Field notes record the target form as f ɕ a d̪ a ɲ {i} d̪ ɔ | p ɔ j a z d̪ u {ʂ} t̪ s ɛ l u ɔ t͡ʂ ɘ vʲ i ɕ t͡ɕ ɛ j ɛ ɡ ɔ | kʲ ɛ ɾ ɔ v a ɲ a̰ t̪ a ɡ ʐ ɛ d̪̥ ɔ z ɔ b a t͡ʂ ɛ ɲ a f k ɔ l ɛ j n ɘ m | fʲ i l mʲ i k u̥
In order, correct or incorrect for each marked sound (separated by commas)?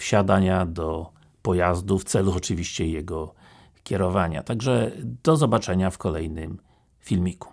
incorrect, incorrect